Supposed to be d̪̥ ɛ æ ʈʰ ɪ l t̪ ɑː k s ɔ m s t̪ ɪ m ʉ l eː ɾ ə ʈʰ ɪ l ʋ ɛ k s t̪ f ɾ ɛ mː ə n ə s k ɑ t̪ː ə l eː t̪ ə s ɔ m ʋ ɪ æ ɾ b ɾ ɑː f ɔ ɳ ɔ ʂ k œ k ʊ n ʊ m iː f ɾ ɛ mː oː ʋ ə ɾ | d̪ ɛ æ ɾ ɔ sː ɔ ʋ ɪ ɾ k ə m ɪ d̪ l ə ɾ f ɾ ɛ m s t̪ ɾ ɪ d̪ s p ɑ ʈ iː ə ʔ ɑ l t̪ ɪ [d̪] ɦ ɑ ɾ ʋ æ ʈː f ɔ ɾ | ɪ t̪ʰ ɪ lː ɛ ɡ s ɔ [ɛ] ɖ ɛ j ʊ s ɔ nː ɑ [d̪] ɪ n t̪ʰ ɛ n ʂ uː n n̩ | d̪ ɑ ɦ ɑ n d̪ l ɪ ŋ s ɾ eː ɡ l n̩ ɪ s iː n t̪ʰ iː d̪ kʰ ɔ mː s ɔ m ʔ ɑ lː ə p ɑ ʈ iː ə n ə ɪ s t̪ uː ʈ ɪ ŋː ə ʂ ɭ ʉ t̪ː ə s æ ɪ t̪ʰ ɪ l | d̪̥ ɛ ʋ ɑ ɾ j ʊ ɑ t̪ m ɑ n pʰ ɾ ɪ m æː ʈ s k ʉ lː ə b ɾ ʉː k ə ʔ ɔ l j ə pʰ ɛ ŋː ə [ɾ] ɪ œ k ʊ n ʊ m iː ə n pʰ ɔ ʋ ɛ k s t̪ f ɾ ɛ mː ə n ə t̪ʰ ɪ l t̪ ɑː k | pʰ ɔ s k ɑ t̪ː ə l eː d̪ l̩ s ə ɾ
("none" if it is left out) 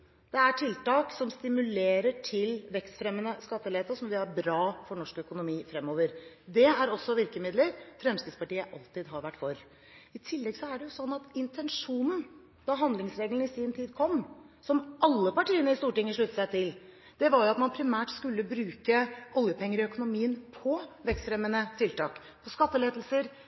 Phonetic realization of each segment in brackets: d̪, æ, t̪, ɾ

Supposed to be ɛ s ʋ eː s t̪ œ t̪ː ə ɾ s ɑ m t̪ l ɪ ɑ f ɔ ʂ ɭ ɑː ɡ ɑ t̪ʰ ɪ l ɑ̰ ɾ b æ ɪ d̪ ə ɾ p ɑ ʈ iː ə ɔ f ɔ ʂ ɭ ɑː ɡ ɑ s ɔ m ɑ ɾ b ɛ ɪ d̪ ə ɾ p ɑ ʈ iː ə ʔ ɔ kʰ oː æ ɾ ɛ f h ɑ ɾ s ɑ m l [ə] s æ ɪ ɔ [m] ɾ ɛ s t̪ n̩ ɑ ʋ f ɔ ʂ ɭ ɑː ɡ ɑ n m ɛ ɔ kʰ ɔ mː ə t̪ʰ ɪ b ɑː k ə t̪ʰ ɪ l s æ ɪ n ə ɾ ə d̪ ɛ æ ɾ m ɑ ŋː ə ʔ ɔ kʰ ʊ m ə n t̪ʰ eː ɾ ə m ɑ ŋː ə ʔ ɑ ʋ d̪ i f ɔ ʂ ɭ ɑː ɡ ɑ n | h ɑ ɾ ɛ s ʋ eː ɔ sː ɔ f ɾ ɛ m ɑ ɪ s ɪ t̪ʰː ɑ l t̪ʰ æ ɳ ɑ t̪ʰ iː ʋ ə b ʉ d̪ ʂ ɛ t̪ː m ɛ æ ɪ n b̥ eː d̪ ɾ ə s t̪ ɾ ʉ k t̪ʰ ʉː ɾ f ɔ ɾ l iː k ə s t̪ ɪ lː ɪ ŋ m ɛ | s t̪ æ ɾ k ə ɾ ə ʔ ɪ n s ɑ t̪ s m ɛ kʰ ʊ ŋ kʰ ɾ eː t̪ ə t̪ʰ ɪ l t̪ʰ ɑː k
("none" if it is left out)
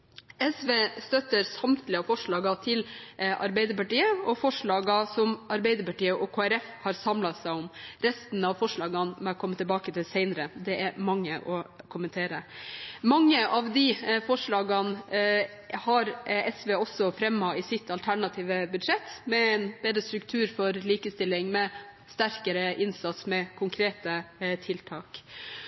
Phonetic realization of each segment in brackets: ɑ, m

